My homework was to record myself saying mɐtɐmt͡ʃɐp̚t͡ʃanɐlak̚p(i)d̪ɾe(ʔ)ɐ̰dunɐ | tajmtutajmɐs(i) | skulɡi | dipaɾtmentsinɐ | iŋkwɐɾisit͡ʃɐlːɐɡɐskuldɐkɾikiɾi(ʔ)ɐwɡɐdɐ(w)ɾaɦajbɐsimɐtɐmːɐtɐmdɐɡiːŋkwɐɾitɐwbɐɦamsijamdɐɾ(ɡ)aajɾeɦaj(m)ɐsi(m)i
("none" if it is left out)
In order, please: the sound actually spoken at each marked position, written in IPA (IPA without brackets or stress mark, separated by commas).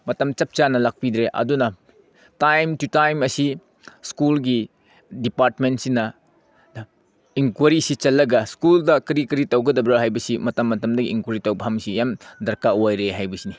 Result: i, ʔ, i, t, b, k, b, n